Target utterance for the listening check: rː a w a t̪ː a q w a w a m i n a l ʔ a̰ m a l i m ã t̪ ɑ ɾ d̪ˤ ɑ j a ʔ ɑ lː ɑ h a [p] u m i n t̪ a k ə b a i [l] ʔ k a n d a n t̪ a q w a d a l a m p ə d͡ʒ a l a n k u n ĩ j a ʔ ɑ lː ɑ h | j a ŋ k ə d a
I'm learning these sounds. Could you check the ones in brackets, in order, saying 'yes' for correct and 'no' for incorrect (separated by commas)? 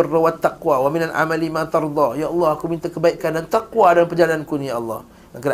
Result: no, no